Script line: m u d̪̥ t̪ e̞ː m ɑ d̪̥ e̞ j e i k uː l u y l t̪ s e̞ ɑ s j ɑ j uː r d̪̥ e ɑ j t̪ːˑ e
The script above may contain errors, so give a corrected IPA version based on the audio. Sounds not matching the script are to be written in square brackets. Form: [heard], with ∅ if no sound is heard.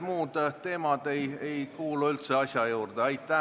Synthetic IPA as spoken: m [uː] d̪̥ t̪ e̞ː m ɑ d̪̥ e̞ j e [j] k uː l u y l t̪ s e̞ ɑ s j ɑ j uː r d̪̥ e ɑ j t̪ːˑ [æ]